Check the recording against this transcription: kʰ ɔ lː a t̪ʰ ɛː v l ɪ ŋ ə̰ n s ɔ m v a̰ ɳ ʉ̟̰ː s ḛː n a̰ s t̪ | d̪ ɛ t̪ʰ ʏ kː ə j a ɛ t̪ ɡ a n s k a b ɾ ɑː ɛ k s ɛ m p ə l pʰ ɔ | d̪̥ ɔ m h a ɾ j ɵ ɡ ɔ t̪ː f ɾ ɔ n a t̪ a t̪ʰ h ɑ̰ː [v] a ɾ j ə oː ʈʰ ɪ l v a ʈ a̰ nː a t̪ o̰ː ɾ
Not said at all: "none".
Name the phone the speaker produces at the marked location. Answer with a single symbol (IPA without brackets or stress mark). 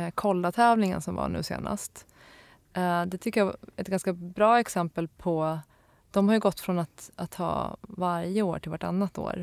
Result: v